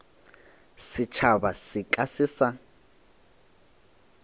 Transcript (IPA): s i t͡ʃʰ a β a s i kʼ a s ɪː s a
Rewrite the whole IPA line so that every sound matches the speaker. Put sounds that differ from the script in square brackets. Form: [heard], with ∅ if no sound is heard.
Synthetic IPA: s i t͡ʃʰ a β a s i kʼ a s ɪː s a